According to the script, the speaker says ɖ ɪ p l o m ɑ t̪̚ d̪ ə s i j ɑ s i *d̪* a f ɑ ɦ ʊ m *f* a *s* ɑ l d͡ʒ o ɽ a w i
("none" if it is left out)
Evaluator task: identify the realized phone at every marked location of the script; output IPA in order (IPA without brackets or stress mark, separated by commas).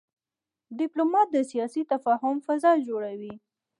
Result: t̪, f, z